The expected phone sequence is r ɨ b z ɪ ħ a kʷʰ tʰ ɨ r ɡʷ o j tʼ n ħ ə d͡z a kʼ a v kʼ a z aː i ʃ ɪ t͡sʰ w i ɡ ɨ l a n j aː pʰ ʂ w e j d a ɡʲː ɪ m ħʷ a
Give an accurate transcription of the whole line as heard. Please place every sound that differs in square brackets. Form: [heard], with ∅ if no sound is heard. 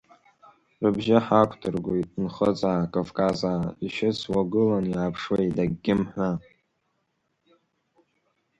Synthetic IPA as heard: r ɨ b [ʒ] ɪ ħ a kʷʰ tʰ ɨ r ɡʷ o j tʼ n [χ] ə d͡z a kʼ a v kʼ a z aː i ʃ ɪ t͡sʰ w [a] ɡ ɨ l a n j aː pʰ ʂ w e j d a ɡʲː ɪ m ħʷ a

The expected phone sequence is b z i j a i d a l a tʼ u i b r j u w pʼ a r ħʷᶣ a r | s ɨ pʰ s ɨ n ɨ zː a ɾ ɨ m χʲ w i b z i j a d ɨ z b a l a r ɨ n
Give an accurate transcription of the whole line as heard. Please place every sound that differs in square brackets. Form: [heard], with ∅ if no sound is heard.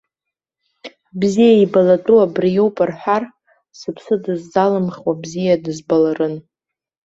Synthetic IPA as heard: b z i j a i [b] a l a tʼ u [a] b r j [o] w pʼ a r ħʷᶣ a r | s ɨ pʰ s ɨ [d] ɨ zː a [l] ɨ m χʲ w [a] b z i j a d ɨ z b a l a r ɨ n

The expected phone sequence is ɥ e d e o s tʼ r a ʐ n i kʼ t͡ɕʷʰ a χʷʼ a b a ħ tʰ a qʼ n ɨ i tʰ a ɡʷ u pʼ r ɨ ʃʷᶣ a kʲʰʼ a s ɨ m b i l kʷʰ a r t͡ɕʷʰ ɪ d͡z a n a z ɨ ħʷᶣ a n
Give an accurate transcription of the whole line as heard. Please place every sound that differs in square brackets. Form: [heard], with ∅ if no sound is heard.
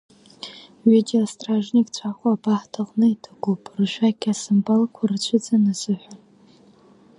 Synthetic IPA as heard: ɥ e d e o s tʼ r a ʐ n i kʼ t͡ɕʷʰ a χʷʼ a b a ħ tʰ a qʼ n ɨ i tʰ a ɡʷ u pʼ r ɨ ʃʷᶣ a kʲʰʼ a s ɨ m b [a] l kʷʰ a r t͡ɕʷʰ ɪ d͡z a n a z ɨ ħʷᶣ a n

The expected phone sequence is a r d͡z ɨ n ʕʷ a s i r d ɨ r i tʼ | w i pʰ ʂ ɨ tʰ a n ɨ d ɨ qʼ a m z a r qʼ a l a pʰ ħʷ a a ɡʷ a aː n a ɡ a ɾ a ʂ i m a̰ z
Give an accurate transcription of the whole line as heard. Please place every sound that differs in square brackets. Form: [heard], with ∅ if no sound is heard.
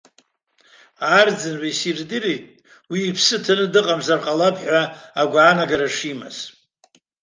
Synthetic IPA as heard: a r d͡z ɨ n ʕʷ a s i r d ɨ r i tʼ | w [iː] pʰ [s] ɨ tʰ a n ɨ d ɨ qʼ a m z a r qʼ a l a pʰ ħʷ a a ɡʷ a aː n a ɡ a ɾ a ʂ i m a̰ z

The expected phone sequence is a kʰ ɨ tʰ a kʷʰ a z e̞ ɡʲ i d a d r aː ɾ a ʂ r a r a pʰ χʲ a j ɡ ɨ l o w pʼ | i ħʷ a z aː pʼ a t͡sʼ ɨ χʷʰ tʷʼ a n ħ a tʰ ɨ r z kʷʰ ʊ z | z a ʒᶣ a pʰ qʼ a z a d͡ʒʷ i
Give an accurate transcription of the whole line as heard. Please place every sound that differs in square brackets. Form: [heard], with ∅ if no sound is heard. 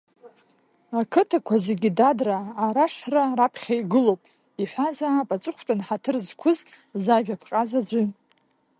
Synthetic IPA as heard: a kʰ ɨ tʰ a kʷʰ a z e̞ ɡʲ i d a d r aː ɾ a ʂ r a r a pʰ χʲ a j ɡ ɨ l o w pʼ | i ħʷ a z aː pʼ a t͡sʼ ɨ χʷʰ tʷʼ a n ħ a tʰ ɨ r z kʷʰ ʊ z | z a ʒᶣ a pʰ qʼ a z a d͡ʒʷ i

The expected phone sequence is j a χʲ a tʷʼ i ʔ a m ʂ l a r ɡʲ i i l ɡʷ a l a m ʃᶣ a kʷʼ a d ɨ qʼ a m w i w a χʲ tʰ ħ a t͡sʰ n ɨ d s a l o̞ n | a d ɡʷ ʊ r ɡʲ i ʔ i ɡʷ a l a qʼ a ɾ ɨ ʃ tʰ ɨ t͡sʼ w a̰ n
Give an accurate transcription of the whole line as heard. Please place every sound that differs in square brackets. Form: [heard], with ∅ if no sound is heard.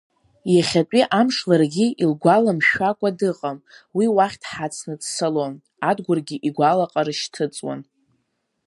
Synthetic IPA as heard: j a χʲ a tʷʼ i ʔ a m ʂ l a r ɡʲ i i l ɡʷ a l a m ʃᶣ a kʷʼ a d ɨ qʼ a m w i w a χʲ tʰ ħ a t͡sʰ n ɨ d s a l o̞ n | a d ɡʷ ʊ r ɡʲ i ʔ i ɡʷ a l a qʼ a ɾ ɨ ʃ tʰ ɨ t͡sʼ w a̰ n

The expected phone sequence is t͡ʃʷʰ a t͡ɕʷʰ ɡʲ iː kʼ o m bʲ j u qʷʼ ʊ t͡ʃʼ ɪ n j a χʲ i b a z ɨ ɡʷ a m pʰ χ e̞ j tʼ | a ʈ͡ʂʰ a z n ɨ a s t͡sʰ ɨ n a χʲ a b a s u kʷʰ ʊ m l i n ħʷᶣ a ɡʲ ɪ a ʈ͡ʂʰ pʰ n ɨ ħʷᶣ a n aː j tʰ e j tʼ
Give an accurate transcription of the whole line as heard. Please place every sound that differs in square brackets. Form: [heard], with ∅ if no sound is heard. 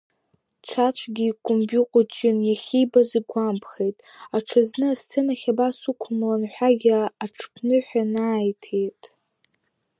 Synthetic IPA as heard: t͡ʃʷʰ a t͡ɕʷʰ ɡʲ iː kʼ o m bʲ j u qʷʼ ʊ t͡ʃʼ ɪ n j a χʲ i b a z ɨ ɡʷ a m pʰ χ e̞ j tʼ | a ʈ͡ʂʰ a z n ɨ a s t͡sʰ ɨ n a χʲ a b a s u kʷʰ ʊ m l [a] n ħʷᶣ a ɡʲ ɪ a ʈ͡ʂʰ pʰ n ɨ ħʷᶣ a n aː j tʰ e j tʼ

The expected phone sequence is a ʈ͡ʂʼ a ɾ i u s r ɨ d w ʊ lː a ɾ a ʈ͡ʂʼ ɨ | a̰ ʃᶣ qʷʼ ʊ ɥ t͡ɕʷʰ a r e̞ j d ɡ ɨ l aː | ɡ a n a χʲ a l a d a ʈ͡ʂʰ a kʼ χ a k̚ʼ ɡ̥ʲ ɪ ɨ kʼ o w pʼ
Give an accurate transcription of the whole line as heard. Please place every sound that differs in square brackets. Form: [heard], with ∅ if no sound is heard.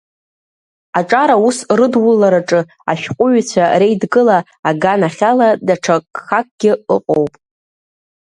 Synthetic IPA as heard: a ʈ͡ʂʼ a ɾ [a] u s r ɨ d w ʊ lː a ɾ a ʈ͡ʂʼ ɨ | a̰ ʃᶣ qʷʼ ʊ ɥ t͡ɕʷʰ a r e̞ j d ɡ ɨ l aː | ɡ a n a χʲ a l a d a ʈ͡ʂʰ a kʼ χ a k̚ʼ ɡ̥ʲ ɪ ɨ [qʼ] o w pʼ

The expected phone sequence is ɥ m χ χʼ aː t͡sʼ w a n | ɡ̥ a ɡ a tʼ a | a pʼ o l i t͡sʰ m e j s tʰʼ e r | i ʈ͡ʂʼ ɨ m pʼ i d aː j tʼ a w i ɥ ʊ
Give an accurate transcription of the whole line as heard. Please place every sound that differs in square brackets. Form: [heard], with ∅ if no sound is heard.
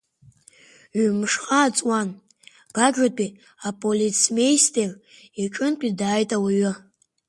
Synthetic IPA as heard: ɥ m [ʂ] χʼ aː t͡sʼ w a n | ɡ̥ a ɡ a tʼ [i] | a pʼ o l i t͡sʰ m e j s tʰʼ e r | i ʈ͡ʂʼ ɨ [n] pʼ i d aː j tʼ a w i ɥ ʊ

